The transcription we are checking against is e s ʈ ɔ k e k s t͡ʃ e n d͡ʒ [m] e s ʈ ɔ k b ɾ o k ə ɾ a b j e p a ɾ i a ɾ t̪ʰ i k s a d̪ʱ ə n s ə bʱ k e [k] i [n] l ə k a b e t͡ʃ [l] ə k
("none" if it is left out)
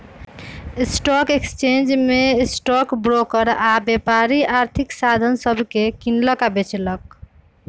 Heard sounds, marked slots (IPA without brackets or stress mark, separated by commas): m, k, n, l